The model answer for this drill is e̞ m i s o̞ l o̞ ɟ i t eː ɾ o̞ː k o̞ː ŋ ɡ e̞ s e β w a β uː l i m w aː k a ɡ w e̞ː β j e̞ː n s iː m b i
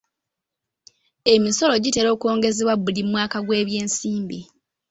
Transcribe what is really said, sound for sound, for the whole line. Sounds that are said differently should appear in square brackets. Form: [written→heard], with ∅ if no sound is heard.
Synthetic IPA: e̞ m i s o̞ l o̞ ɟ i t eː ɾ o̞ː k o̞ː ŋ ɡ e̞ [s→z] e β w a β [uː→u] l i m w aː k a ɡ w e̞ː β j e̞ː n s iː m b i